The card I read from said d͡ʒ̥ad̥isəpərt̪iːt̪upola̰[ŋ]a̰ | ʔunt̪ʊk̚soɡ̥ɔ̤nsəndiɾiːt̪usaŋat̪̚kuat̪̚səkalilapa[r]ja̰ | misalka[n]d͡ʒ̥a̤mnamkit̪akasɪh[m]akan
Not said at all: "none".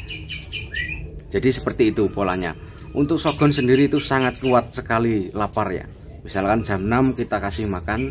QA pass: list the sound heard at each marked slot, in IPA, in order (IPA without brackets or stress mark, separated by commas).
ɲ, r, n, m